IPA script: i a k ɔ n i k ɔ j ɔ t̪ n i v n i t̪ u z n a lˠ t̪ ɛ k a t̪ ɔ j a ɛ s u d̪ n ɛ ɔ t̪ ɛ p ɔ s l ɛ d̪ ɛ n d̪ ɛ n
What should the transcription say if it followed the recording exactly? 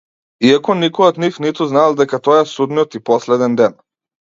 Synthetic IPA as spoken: i a k ɔ n i k ɔ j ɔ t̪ n i f n i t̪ u z n a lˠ d̪ ɛ k a t̪ ɔ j a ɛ s u d̪ n i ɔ t̪ i p ɔ s l ɛ d̪ ɛ n d̪ ɛ n